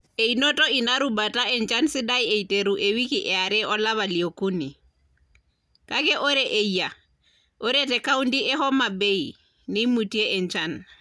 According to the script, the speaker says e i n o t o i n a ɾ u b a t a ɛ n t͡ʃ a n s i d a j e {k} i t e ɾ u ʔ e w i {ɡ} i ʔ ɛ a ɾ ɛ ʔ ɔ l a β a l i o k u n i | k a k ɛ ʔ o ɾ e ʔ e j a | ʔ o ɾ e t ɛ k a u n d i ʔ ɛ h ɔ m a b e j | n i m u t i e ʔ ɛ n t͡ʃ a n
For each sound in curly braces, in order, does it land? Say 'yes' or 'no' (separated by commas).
no, no